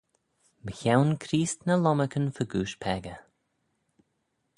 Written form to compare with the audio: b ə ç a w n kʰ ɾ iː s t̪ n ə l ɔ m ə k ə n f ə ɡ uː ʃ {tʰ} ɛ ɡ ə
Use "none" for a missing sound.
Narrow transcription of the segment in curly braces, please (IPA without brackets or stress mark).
pʰ